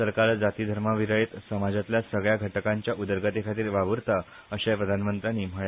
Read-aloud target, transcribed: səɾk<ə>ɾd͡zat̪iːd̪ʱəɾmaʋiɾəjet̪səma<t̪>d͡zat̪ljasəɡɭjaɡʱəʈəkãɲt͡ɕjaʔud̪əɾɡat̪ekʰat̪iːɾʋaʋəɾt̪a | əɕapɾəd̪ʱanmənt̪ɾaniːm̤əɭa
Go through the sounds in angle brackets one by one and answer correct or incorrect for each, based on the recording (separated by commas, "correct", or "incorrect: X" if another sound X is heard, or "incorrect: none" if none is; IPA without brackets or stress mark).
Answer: incorrect: a, incorrect: none